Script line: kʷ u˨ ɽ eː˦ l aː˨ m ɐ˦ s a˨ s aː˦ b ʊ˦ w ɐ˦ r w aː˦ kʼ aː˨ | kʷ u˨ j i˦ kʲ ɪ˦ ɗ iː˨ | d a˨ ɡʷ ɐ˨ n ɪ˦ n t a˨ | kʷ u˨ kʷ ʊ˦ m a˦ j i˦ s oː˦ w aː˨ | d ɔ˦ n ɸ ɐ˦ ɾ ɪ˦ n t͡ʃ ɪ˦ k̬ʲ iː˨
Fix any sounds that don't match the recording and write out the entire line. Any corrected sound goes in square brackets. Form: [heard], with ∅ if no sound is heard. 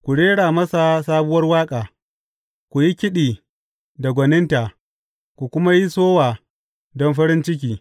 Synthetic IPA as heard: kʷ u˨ ɽ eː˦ [ɽ] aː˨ m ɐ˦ s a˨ s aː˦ b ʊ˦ w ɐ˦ r w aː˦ kʼ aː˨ | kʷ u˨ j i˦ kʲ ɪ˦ ɗ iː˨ | d a˨ ɡʷ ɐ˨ n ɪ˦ n t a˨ | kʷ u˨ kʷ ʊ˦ m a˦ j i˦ s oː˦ w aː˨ | d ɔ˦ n ɸ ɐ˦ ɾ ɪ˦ n t͡ʃ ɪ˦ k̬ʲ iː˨